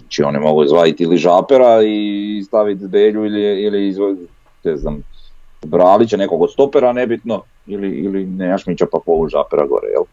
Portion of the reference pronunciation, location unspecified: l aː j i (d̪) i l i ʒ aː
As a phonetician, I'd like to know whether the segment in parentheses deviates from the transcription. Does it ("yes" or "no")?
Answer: yes